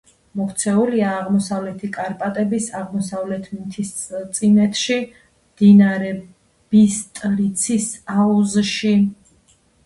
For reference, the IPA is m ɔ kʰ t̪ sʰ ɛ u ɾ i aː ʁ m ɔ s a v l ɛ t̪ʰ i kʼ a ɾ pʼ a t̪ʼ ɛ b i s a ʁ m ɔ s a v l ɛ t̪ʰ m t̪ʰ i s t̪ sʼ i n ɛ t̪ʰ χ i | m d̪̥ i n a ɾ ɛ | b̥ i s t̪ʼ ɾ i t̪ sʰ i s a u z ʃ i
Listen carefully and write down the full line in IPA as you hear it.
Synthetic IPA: m ɔ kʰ t̪ sʰ ɛ u l i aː ʁ m ɔ s a v l ɛ t̪ʰ i kʼ a ɾ pʼ a t̪ʼ ɛ b i s a ʁ m ɔ s a v l ɛ t̪ʰ m t̪ʰ i s t̪ sʼ i n ɛ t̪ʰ ʃ i | m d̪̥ i n a ɾ ɛ | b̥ i s t̪ʼ ɾ i t̪ sʰ i s a u z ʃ i